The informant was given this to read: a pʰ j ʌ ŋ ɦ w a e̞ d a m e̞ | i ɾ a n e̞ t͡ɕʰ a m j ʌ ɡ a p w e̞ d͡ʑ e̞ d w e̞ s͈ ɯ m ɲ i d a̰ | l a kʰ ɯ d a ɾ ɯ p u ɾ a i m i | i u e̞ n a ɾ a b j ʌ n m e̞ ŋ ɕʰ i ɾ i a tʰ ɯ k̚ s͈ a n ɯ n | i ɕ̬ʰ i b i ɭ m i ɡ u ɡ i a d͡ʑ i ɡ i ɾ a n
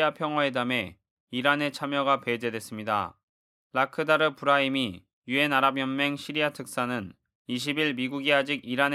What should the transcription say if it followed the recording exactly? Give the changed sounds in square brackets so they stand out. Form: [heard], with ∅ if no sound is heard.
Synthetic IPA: a pʰ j ʌ ŋ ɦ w a e̞ d a m e̞ | i ɾ a n e̞ t͡ɕʰ a m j ʌ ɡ a p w e̞ d͡ʑ e̞ d w e̞ s͈ ɯ m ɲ i d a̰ | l a kʰ ɯ d a ɾ ɯ p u ɾ a i m i | [j] u e̞ n a ɾ a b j ʌ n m e̞ ŋ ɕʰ i ɾ i a tʰ ɯ k̚ s͈ a n ɯ n | i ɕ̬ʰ i b i ɭ m i ɡ u ɡ i a d͡ʑ i ɡ i ɾ a n